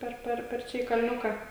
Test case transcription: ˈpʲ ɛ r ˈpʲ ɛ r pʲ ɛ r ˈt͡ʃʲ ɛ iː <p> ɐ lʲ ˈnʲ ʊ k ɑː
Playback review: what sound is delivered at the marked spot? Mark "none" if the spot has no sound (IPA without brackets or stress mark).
k